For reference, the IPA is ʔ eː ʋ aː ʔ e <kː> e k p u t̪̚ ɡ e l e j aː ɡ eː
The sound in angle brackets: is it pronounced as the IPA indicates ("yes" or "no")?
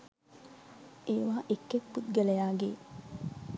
yes